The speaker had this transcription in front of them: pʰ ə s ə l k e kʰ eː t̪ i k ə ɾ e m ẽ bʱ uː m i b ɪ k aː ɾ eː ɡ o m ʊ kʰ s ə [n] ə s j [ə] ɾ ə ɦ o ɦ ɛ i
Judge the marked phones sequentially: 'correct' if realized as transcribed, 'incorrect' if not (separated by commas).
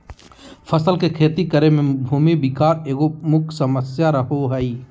incorrect, incorrect